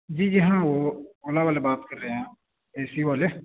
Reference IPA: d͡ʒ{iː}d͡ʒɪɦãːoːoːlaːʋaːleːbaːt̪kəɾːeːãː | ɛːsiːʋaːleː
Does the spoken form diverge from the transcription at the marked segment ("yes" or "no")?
no